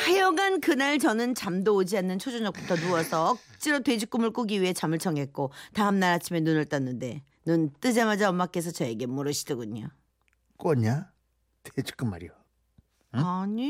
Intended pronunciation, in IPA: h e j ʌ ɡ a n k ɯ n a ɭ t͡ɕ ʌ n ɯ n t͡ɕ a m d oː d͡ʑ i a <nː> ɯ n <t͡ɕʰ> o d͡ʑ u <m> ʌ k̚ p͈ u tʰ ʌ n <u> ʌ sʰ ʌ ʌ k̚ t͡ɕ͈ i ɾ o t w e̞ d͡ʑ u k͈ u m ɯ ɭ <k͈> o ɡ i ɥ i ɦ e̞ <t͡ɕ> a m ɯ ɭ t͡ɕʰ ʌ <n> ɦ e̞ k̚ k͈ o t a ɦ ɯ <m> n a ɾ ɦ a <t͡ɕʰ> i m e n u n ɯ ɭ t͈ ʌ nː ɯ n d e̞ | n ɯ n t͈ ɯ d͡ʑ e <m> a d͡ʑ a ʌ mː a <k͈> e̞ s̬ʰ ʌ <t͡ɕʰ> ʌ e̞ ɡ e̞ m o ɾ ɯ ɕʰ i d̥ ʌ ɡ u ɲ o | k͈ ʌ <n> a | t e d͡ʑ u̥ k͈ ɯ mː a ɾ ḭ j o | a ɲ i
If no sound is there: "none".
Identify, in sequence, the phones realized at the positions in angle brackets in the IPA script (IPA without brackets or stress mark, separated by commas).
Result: nː, t͡ɕʰ, ɲ, u, k͈, t͡ɕ, ŋ, m, t͡ɕʰ, m, k͈, t͡ɕ, ɲ